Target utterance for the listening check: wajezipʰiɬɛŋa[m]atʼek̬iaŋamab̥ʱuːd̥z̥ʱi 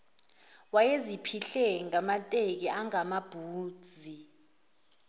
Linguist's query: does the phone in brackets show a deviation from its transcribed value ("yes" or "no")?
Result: no